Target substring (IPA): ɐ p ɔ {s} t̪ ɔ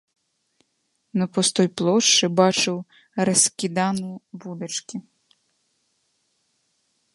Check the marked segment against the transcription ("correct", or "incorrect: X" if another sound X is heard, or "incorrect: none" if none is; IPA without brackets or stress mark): correct